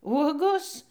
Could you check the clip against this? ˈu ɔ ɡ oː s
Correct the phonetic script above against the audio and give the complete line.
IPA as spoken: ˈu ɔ ɡ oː s